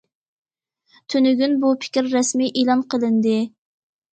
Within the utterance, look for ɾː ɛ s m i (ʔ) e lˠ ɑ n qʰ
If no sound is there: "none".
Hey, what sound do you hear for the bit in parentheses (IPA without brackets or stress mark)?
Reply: ʔ